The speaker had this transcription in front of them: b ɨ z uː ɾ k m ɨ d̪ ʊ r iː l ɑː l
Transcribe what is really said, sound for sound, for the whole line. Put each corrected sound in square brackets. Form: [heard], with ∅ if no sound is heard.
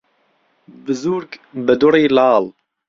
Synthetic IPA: b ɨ z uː ɾ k [b] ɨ d̪ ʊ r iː l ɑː l